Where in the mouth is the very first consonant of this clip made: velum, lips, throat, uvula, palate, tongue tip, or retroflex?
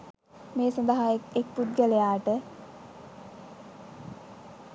lips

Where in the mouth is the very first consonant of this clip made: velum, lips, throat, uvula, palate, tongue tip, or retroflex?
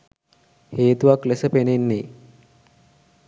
throat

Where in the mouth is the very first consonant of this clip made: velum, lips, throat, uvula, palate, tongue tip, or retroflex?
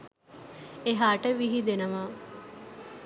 throat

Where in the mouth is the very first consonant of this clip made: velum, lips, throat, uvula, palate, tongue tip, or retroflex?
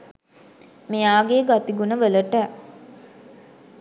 lips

